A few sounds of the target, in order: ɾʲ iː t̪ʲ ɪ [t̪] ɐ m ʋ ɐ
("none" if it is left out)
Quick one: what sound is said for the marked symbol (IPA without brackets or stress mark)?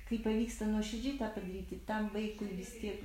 t̪